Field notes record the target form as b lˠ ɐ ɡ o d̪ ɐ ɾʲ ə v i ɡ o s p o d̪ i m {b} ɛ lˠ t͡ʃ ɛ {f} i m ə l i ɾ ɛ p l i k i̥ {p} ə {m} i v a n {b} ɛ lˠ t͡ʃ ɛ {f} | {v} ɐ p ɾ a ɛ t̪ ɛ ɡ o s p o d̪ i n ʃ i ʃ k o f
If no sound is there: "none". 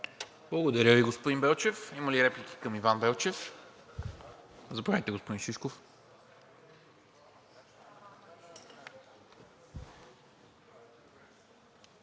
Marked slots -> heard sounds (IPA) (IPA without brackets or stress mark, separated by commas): b, f, k, m, b, f, z